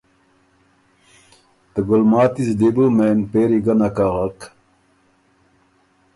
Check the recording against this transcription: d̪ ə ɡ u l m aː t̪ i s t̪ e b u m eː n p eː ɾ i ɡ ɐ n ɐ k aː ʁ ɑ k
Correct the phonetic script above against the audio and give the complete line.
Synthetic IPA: t̪ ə ɡ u l m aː t̪ i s d̪ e b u m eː n p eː ɾ i ɡ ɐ n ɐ k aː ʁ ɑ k